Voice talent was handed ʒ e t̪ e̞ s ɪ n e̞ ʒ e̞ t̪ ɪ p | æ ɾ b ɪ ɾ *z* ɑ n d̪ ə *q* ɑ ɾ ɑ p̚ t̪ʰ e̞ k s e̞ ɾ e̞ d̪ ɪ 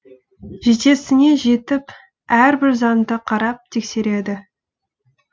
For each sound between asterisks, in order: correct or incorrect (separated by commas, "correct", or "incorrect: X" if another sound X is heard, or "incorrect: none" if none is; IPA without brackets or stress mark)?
correct, incorrect: qʰ